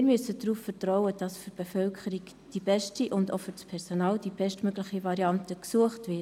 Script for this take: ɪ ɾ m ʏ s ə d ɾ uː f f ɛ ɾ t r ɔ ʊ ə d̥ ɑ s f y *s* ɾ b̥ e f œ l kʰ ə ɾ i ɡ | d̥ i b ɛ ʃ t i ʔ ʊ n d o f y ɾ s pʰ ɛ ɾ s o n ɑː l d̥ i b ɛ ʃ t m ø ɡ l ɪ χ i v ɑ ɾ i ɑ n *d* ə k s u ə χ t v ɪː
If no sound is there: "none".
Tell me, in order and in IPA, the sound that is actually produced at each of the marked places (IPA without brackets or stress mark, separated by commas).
none, t